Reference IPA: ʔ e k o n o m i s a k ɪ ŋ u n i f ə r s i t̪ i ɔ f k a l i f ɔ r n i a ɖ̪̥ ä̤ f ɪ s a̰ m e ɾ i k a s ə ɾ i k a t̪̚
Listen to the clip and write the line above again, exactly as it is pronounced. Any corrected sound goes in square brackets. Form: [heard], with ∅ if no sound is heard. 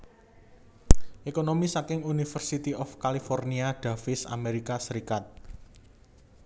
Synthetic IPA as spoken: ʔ e k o n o m i s a k ɪ ŋ u n i f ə r s i t̪ i ɔ f k a l i f ɔ r n i a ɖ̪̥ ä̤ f ɪ s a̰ m e ɾ i k a s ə ɾ i k a t̪̚